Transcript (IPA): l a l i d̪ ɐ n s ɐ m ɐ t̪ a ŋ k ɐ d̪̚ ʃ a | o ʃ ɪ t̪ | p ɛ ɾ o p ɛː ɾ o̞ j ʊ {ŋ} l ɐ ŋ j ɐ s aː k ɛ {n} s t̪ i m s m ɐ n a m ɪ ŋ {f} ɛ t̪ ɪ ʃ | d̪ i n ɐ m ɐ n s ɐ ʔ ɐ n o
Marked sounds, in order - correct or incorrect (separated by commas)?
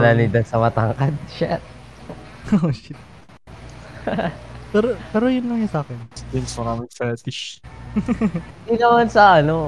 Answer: incorrect, correct, correct